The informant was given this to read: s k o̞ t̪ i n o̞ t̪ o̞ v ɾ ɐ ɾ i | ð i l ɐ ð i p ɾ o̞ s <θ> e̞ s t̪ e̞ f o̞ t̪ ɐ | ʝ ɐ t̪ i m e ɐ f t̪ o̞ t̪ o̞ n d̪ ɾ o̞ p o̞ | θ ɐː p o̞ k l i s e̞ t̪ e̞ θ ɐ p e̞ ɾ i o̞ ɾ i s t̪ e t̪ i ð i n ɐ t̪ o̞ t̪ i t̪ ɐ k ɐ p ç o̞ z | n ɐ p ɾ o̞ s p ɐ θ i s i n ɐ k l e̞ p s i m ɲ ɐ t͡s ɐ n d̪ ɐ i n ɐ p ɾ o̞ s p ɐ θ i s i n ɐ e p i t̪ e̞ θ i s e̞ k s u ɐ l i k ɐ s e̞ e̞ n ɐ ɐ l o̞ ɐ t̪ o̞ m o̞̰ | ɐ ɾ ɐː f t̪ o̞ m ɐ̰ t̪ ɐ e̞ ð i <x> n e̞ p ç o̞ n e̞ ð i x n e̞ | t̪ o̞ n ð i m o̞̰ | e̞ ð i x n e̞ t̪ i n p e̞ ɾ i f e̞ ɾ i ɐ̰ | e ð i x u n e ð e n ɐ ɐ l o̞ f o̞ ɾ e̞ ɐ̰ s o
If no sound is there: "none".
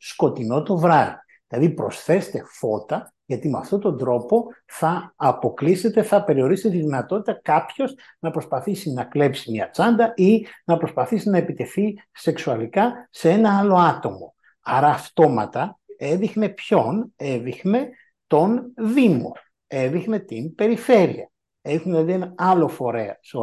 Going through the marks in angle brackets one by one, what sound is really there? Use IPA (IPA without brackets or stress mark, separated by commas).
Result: θ, x